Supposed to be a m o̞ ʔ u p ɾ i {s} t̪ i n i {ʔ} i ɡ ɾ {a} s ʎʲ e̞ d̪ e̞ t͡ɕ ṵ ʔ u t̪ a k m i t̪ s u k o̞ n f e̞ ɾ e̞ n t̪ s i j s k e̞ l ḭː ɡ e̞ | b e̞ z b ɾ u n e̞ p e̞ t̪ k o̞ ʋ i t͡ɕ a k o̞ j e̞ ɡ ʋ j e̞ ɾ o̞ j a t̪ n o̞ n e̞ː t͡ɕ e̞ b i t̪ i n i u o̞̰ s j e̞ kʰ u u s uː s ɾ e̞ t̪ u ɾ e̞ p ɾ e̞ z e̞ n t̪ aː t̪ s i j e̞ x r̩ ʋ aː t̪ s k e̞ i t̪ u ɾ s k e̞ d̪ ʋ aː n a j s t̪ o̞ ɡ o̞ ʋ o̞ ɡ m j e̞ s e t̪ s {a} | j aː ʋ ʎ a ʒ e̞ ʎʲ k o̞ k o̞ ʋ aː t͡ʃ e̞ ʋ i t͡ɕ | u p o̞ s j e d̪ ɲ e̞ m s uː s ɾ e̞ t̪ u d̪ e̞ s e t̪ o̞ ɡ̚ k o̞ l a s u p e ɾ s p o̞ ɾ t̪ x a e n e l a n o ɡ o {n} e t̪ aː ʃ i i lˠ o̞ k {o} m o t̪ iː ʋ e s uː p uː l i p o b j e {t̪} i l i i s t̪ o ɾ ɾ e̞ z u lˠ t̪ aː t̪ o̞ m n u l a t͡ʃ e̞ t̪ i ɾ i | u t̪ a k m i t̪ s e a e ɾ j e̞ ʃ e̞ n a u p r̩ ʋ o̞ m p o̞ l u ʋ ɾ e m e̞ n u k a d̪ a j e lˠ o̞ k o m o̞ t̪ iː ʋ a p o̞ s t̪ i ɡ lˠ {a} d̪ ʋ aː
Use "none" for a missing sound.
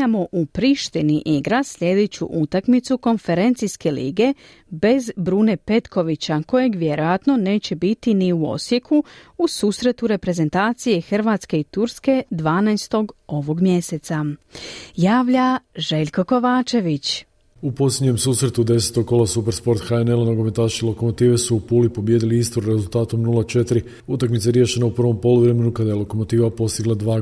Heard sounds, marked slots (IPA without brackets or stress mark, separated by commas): ʃ, ʔ, a, a, m, o, d̪, a